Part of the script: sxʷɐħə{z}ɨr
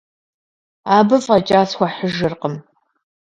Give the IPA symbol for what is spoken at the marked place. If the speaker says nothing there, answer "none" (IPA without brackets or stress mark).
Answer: ʒ